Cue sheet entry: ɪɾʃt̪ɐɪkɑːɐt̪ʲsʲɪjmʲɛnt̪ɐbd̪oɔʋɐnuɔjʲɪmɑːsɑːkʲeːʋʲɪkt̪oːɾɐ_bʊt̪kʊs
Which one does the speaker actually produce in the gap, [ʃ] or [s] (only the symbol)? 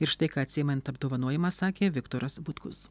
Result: s